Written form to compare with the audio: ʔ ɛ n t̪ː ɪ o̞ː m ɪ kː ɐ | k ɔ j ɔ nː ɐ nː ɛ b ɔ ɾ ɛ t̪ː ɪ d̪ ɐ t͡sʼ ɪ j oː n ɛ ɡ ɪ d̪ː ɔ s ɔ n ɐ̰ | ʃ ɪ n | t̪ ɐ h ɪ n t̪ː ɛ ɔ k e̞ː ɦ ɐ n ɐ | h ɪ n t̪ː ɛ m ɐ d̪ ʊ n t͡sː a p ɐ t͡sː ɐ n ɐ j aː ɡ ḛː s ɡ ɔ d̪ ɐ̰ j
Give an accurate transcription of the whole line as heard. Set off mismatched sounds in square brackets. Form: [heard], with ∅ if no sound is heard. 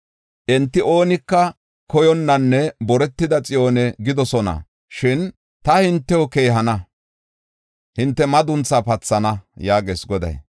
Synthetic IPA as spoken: ʔ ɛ n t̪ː ɪ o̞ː [n] ɪ kː ɐ | k ɔ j ɔ nː ɐ nː ɛ b ɔ ɾ ɛ t̪ː ɪ d̪ ɐ t͡sʼ ɪ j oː n ɛ ɡ ɪ [d̪] ɔ s ɔ n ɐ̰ | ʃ ɪ n | t̪ ɐ h ɪ n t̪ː ɛ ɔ k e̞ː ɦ ɐ n ɐ | h ɪ n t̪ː ɛ m ɐ d̪ ʊ n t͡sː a p ɐ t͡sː ɐ n ɐ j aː ɡ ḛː s ɡ ɔ d̪ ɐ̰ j